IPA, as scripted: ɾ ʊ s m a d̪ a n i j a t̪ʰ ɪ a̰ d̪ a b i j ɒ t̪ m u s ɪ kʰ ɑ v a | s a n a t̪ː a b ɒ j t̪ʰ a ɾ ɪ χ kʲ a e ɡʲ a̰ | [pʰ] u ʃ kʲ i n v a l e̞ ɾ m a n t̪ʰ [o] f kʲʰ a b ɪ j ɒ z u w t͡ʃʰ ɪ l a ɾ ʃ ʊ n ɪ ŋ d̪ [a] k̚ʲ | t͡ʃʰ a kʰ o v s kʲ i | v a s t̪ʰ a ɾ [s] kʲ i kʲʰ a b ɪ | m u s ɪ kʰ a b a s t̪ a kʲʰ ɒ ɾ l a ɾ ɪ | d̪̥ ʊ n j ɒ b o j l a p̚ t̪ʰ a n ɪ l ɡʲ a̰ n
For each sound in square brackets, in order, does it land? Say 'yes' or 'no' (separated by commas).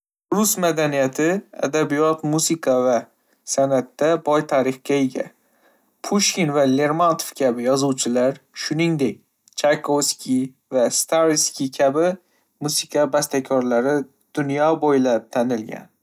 yes, yes, no, yes